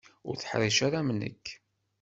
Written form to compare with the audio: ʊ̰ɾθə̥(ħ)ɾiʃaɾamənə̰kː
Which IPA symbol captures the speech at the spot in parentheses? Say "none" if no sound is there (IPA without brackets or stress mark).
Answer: ħ